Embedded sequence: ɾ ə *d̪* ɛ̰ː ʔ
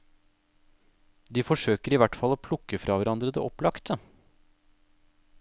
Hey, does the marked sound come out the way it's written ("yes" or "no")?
yes